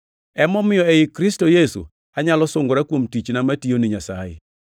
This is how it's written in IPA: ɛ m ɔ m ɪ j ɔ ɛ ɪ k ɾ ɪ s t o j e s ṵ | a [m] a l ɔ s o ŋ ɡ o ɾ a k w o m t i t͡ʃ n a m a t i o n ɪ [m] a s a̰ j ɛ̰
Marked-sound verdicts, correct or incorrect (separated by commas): incorrect, incorrect